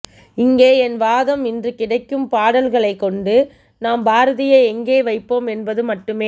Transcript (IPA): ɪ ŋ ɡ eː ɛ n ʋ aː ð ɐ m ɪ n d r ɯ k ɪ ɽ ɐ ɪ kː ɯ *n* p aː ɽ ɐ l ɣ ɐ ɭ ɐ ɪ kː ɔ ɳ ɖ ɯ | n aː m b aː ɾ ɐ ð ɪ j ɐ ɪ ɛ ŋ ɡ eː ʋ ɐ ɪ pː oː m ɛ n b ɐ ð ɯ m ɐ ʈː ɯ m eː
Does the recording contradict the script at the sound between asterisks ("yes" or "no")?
yes